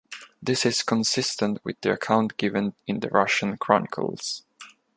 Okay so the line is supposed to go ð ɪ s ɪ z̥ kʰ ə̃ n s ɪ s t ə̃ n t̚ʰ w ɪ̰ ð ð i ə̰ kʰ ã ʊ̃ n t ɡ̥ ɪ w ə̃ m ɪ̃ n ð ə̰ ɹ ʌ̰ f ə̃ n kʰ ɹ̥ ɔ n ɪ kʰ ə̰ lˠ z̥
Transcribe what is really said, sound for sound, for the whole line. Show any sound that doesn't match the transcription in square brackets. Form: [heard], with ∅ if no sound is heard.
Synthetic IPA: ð ɪ s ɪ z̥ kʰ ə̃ n s ɪ s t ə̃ n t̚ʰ w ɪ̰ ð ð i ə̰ kʰ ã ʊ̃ n t ɡ̥ ɪ [v] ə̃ [n] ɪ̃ n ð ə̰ ɹ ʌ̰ [ʃ] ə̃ n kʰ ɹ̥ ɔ n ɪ kʰ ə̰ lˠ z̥